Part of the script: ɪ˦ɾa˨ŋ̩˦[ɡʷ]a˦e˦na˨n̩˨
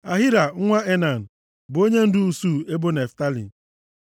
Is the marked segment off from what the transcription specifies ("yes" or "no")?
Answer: yes